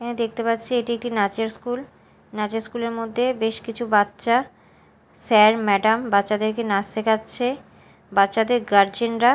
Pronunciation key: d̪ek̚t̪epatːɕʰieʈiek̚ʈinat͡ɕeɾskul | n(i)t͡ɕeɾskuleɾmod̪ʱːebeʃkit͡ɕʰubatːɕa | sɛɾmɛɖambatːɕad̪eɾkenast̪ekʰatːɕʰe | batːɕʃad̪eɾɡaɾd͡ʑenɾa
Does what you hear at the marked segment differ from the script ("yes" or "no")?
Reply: yes